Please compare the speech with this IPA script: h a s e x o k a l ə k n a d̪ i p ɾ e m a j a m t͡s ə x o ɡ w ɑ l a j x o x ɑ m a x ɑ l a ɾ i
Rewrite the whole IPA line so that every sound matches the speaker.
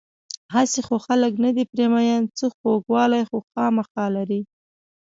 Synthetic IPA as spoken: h a s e x o x a l ə k n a d̪ i p ɾ e m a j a n t͡s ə x o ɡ w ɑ l a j x o x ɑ m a x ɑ l a ɾ i